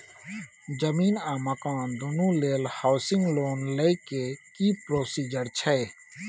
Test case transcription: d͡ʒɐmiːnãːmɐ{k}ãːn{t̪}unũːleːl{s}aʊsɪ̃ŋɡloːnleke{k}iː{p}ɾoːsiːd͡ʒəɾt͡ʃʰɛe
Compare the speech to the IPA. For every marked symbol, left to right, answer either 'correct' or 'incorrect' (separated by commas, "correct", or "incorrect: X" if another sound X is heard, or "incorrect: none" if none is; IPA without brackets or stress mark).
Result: correct, incorrect: d̪, incorrect: h, correct, correct